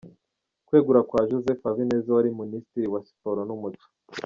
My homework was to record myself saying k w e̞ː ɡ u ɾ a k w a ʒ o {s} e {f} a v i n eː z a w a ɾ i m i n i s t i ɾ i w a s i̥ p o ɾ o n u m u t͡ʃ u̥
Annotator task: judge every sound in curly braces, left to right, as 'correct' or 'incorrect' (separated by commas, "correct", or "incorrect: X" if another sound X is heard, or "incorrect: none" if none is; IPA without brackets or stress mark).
incorrect: z, correct